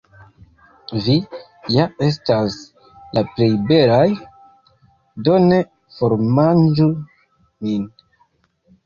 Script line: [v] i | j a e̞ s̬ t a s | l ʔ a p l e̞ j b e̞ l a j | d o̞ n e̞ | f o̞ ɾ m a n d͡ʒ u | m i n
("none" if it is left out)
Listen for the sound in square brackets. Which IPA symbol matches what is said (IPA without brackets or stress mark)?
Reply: v